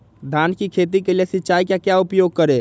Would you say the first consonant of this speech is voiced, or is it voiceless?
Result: voiced